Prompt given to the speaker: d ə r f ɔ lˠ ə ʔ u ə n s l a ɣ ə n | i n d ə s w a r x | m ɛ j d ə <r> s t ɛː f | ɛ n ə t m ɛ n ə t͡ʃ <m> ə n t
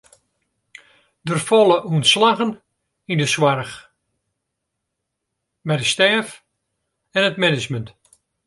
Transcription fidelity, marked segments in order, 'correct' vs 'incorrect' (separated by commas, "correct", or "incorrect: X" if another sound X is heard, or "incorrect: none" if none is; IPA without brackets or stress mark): incorrect: none, correct